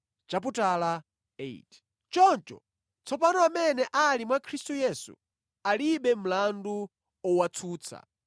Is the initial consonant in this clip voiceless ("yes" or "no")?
yes